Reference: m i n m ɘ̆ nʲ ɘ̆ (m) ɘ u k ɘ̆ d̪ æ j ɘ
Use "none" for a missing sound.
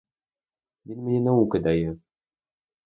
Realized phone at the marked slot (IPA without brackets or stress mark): n